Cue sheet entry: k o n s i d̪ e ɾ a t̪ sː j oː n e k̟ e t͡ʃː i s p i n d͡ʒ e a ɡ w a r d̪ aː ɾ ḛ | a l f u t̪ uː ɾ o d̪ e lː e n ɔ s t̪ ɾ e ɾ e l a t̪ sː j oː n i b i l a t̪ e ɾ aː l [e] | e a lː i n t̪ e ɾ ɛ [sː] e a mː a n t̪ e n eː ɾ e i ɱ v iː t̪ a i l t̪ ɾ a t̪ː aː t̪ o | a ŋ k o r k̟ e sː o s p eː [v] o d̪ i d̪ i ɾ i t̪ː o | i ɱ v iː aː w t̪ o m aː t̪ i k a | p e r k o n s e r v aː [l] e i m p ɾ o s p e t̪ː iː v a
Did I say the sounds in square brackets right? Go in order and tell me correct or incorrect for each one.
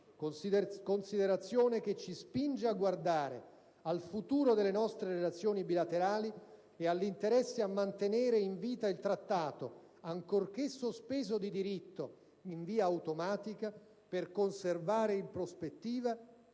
incorrect: i, correct, incorrect: z, incorrect: ɾ

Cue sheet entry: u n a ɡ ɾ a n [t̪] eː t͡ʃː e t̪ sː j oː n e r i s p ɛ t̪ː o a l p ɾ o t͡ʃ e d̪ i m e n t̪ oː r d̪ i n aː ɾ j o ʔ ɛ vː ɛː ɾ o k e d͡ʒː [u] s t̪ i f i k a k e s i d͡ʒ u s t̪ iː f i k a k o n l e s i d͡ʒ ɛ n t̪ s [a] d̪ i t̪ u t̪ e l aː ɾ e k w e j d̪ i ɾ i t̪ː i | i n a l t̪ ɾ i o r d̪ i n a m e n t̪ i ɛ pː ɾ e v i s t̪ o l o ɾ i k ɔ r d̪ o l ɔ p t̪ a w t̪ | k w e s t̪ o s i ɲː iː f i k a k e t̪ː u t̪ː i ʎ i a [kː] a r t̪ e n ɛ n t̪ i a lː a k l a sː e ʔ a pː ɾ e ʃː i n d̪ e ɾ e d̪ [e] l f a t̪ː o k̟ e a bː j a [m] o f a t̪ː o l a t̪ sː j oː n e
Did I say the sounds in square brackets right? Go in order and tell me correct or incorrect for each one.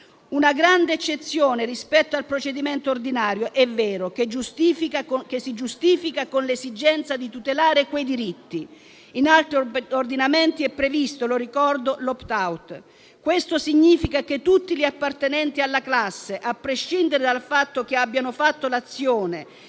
incorrect: d̪, correct, correct, incorrect: pː, incorrect: a, incorrect: n

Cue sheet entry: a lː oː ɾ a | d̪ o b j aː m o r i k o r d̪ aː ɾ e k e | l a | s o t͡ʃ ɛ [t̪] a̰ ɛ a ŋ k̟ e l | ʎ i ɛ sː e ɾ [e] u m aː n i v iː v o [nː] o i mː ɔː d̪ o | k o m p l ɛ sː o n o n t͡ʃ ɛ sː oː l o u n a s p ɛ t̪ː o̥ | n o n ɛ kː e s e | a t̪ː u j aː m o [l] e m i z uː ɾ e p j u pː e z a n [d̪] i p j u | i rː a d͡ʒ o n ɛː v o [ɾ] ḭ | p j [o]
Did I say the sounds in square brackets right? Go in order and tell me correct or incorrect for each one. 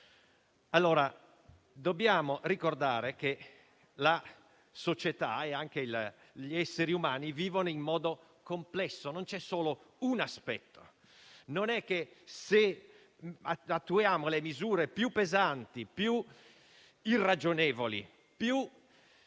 correct, incorrect: i, incorrect: n, correct, incorrect: t̪, incorrect: l, incorrect: u

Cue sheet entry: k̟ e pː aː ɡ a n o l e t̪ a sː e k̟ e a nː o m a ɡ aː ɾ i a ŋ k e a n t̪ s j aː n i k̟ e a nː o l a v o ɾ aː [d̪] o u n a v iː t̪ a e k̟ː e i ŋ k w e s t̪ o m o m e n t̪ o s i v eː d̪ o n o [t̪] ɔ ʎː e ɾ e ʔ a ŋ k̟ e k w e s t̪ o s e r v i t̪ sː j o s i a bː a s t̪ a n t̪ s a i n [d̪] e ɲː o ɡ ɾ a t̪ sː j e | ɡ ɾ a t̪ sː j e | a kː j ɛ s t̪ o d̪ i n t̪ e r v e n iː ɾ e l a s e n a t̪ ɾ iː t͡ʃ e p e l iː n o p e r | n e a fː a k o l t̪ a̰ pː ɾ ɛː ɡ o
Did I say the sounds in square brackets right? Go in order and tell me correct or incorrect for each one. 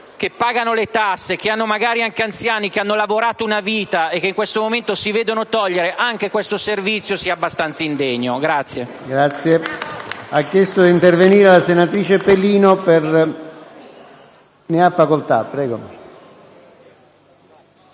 incorrect: t̪, correct, correct

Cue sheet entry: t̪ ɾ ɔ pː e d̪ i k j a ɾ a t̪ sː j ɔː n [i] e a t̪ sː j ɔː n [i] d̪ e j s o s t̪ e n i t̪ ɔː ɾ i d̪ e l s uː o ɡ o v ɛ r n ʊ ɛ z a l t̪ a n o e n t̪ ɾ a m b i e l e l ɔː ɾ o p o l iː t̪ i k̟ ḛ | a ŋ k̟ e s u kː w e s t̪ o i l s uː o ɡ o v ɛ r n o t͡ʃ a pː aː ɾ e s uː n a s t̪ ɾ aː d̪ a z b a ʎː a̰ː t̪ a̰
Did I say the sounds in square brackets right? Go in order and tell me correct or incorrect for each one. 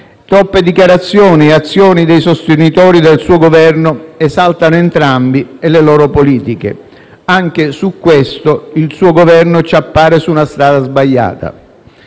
correct, correct

